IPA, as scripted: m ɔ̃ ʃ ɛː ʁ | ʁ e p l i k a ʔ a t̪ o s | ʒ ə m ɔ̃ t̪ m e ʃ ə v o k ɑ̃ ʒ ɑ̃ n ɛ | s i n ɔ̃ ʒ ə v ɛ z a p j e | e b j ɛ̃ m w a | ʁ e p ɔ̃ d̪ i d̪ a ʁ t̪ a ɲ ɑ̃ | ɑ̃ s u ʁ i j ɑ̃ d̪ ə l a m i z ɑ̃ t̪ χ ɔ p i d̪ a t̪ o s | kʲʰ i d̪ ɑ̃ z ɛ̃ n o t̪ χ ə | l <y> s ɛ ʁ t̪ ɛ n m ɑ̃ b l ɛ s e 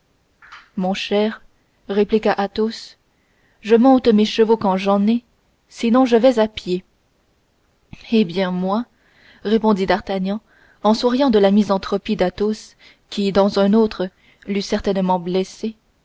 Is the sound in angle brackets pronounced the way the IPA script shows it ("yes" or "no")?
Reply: yes